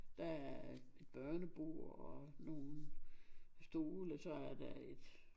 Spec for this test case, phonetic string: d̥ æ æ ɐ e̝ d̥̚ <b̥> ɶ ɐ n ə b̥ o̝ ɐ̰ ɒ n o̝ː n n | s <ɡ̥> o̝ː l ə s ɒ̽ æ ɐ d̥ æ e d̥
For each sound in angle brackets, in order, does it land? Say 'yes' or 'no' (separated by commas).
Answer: yes, no